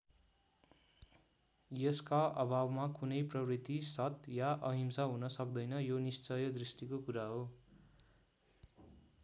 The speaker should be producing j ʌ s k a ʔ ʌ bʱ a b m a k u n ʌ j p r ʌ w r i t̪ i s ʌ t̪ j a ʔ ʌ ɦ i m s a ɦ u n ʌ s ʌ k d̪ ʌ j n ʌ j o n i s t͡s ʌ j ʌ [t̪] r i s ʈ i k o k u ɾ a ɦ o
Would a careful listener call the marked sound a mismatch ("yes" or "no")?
yes